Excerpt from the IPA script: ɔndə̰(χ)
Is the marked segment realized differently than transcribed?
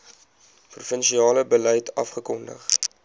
no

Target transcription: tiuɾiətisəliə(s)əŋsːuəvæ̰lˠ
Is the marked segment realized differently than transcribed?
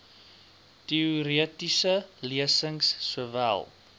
no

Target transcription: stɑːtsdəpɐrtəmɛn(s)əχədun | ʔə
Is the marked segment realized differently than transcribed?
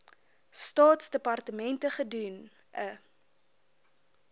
yes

